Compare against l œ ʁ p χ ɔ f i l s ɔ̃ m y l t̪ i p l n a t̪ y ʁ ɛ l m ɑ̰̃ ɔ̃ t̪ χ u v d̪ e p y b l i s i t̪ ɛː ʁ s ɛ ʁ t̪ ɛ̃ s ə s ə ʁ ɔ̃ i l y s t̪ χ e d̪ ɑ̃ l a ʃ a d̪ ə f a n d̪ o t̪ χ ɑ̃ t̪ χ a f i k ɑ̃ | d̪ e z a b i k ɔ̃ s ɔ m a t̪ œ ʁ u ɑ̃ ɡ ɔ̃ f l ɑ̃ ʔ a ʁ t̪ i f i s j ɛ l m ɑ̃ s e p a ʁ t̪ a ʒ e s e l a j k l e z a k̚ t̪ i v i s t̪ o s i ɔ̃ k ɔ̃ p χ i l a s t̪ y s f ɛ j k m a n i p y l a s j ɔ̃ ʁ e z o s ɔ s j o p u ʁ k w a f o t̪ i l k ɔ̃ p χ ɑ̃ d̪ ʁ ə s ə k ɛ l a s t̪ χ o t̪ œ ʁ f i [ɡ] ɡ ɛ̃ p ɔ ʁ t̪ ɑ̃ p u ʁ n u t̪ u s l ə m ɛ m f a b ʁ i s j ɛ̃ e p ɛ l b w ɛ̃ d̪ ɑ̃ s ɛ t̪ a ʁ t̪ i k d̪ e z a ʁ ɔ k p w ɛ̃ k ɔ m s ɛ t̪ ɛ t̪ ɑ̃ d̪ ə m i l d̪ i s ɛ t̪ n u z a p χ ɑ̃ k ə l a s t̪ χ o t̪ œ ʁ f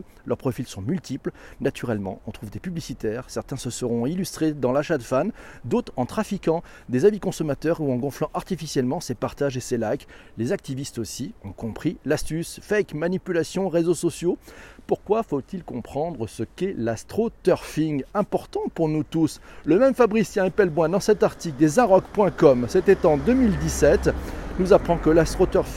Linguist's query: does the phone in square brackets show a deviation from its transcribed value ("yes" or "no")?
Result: yes